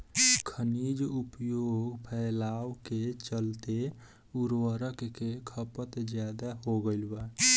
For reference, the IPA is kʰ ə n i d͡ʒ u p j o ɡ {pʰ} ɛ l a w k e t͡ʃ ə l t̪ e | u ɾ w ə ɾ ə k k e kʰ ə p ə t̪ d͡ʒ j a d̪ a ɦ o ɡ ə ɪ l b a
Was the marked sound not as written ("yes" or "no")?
no